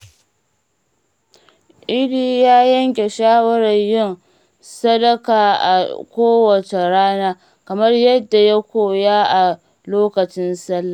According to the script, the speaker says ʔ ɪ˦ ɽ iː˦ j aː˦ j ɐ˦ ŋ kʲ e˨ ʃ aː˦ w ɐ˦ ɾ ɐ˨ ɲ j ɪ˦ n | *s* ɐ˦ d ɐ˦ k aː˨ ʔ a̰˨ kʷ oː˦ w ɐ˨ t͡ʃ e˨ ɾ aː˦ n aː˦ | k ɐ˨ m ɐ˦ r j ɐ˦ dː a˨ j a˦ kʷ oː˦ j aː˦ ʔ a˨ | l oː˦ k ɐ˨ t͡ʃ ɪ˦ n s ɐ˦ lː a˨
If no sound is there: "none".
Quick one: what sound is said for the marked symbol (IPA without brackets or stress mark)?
s